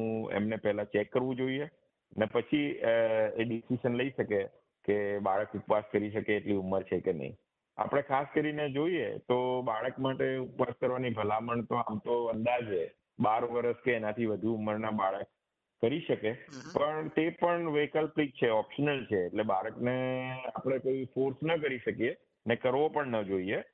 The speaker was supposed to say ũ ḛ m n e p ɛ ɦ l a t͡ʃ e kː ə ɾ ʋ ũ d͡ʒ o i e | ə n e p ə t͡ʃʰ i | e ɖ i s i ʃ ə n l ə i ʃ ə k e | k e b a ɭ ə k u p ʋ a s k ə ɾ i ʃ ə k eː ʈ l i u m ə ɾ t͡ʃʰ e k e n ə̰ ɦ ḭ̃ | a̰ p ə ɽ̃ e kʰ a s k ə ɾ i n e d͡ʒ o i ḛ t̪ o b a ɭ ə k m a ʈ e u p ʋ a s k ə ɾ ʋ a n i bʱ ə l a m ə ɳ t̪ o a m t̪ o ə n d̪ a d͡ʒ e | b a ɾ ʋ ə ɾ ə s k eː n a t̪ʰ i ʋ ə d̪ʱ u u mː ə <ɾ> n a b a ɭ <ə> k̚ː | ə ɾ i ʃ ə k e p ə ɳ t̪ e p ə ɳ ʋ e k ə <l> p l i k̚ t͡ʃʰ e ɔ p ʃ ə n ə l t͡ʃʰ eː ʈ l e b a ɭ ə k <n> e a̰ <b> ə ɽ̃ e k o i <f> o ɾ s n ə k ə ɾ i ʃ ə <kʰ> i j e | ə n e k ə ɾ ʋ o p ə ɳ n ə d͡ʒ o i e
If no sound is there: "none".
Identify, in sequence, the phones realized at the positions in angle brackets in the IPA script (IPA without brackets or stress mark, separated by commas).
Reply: ɾ, ə, l, n, p, f, k